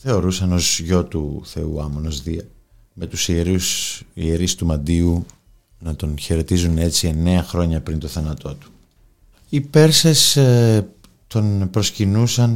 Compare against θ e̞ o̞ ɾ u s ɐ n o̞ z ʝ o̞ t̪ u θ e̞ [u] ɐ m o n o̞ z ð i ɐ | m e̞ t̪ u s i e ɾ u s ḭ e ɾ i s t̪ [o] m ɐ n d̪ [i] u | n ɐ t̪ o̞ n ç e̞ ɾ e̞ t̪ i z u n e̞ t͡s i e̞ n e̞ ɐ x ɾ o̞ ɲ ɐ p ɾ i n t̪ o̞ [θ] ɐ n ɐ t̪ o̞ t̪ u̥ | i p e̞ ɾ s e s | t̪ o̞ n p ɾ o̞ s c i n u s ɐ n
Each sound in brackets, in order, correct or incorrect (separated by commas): correct, incorrect, correct, correct